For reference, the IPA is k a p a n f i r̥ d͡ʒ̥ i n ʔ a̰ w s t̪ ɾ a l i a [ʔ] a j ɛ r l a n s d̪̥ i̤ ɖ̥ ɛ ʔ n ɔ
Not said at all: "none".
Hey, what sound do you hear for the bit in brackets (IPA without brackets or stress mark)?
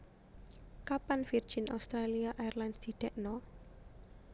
ʔ